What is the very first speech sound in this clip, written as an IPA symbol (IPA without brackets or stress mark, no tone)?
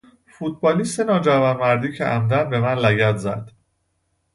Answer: f